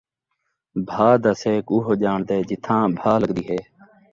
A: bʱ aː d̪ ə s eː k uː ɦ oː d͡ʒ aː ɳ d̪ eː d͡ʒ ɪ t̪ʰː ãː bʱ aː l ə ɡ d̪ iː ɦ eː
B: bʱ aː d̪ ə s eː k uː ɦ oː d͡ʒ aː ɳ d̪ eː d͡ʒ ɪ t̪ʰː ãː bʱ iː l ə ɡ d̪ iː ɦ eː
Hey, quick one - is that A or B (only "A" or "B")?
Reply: A